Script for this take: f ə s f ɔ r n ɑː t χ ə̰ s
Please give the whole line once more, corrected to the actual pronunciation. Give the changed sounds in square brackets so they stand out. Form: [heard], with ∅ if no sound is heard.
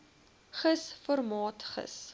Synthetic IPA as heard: [χ] ə s f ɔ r [m] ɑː t χ ə̰ s

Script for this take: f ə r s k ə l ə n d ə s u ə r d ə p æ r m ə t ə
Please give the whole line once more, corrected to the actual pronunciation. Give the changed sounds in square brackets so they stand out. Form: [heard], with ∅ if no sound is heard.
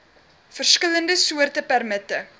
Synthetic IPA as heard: f ə r s k ə l ə n d ə s u ə r [t] ə p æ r m ə t ə

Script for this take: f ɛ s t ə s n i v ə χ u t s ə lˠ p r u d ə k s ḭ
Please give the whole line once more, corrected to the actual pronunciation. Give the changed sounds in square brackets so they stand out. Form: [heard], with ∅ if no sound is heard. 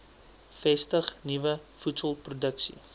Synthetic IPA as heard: f ɛ s t ə [χ] n i v ə [f] u t s ə lˠ p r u d ə k s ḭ

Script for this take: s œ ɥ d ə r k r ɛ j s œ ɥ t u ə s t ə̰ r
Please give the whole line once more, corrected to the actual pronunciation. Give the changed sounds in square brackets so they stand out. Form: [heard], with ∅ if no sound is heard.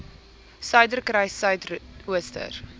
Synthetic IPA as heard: s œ ɥ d ə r k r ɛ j s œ ɥ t u ə s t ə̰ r

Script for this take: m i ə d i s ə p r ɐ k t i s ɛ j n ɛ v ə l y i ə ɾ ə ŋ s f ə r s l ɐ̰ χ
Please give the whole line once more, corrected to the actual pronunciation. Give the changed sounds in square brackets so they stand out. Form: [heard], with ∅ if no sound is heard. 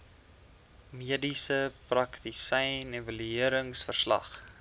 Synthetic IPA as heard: m i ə d i s ə p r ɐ k t i s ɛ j n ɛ v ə l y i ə ɾ ə ŋ s f ə r s l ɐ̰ χ

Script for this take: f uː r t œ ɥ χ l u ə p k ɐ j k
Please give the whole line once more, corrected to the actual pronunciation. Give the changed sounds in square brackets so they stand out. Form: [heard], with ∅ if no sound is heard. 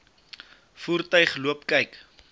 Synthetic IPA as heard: f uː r t œ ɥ χ l u ə p k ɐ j k

